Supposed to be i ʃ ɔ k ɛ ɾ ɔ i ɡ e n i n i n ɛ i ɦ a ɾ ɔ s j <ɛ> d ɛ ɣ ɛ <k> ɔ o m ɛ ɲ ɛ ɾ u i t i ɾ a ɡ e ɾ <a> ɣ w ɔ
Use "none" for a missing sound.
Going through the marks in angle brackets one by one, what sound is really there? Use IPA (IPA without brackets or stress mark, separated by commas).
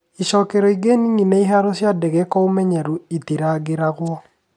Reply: a, k, a